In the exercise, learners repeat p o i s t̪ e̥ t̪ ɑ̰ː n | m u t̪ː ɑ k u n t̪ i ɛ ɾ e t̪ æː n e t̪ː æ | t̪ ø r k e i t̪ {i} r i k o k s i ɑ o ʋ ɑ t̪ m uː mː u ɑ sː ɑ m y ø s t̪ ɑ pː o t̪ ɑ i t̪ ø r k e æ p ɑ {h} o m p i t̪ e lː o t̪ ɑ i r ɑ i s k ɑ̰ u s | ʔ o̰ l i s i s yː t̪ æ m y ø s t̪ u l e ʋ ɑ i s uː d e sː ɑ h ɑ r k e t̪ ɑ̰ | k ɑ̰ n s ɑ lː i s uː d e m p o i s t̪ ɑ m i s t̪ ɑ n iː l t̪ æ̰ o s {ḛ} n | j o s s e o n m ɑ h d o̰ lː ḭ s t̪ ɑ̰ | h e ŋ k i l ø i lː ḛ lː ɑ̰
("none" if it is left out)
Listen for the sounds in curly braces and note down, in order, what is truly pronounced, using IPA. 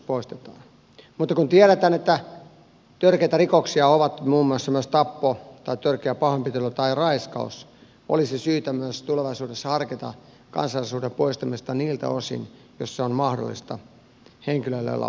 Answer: æ, h, ḭ

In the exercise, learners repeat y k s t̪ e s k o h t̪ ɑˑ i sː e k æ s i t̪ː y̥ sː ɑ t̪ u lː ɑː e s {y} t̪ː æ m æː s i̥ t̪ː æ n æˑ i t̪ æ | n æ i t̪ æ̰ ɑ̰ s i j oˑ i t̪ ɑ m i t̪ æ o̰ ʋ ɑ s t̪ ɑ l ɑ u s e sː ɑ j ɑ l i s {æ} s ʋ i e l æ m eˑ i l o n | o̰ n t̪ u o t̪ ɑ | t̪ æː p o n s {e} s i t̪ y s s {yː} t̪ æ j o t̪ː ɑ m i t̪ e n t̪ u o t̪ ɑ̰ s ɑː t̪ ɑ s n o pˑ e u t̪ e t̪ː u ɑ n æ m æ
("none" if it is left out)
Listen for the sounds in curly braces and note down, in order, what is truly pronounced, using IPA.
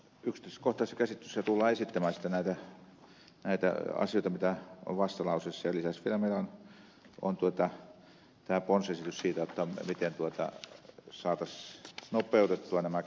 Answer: i, æ, e, iː

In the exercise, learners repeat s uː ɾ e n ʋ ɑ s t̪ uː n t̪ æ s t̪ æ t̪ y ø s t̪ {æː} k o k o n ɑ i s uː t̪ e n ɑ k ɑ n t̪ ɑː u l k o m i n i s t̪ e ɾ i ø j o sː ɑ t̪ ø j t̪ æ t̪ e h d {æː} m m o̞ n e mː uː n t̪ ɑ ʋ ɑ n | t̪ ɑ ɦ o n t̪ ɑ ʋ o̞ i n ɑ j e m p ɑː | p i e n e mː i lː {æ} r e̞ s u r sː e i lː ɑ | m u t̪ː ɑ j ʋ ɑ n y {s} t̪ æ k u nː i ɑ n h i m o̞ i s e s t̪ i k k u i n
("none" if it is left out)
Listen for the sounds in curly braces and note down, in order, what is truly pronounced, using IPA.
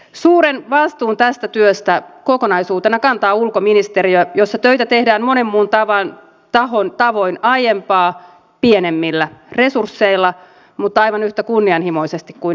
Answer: æ, æː, æ, h

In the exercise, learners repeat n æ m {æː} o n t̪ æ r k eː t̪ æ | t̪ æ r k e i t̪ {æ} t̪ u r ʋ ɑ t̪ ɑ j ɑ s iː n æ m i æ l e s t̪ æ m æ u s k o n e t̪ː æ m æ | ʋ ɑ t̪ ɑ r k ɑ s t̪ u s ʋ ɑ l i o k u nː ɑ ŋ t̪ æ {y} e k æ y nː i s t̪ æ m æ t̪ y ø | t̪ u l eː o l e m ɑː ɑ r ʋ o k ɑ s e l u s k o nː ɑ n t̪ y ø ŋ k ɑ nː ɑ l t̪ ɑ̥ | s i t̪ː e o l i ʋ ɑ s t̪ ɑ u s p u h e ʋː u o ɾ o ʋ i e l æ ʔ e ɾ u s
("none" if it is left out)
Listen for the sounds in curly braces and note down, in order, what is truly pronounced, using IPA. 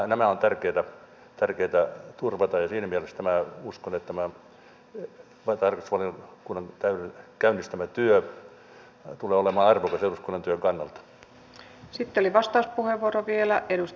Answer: æ, æ, y

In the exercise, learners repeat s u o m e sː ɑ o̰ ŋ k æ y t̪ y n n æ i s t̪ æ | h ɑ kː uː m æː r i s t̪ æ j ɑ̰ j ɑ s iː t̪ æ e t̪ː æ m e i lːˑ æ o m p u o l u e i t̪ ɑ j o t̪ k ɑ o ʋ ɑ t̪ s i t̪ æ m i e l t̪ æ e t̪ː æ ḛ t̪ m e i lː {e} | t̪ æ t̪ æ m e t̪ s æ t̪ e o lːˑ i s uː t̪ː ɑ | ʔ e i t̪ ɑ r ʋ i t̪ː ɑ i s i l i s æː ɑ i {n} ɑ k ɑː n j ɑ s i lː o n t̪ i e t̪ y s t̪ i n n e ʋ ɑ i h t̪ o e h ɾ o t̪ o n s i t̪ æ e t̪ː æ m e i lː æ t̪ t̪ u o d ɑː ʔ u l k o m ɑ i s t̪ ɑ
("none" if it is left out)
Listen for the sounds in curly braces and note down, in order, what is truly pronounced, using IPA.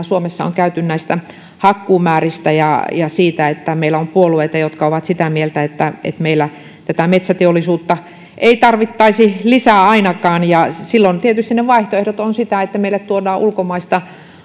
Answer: æ, n

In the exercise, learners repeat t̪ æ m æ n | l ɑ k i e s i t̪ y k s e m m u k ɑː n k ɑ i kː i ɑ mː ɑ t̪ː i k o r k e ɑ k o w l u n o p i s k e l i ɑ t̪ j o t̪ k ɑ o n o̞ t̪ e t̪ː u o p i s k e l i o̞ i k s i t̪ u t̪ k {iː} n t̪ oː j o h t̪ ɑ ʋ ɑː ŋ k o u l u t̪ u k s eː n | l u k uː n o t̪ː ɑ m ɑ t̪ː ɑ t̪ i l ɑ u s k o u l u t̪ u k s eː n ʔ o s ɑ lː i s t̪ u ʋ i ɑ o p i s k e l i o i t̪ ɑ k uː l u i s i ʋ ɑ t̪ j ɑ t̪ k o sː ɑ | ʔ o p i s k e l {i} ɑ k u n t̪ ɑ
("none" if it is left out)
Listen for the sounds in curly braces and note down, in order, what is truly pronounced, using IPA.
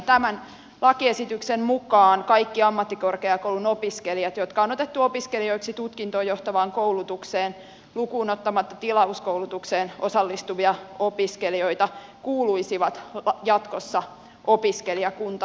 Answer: i, i

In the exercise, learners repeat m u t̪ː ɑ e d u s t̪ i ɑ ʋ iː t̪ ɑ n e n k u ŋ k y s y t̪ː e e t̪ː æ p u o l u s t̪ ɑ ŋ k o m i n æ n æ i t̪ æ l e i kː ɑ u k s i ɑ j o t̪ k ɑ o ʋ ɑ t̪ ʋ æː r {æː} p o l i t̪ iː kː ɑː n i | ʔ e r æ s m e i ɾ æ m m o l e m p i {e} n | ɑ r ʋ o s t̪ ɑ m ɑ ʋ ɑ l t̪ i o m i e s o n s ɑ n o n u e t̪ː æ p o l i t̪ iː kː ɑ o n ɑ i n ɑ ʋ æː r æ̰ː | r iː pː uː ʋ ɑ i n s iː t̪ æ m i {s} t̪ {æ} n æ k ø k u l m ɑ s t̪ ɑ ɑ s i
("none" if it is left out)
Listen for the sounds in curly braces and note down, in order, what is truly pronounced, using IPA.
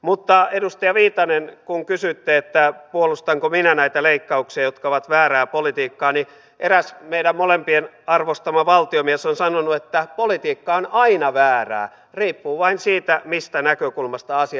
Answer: æː, e, s, æ

